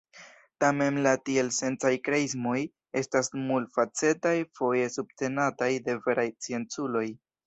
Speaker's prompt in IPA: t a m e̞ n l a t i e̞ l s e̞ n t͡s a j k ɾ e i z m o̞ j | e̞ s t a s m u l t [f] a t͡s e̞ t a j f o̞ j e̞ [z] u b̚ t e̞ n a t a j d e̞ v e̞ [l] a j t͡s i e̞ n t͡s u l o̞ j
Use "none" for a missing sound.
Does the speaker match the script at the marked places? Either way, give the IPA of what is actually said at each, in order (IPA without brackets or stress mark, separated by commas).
f, s, ɾ